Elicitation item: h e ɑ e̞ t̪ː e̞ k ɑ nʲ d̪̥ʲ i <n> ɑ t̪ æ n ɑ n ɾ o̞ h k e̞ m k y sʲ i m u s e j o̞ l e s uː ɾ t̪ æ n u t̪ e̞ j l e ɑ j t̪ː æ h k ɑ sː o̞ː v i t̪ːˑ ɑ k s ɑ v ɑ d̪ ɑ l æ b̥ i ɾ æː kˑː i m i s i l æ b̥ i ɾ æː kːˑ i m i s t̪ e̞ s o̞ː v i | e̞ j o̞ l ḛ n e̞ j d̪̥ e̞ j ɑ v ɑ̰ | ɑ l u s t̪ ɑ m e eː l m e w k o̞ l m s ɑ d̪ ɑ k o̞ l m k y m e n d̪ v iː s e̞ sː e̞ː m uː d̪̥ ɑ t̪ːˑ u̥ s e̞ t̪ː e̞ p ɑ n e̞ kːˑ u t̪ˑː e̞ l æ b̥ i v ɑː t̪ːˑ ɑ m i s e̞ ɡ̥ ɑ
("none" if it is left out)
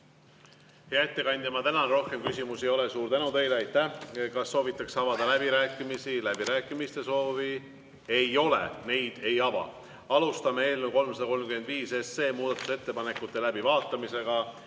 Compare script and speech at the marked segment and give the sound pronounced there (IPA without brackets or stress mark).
m